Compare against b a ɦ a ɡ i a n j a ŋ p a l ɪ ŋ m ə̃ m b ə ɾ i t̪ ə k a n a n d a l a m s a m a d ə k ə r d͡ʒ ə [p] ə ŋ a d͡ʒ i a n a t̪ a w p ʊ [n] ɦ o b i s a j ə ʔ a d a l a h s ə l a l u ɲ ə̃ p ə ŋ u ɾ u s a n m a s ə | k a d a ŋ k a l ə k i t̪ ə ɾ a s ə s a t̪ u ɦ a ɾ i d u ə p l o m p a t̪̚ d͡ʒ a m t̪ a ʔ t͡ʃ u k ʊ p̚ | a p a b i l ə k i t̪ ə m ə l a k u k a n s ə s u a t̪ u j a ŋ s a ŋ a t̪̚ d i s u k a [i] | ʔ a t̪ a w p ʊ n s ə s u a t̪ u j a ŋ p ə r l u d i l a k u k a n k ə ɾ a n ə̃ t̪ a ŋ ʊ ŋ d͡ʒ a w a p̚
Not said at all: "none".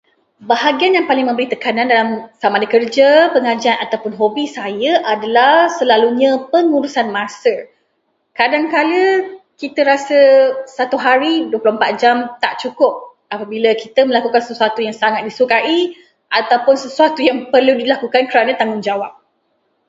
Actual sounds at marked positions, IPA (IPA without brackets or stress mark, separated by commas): p, n, i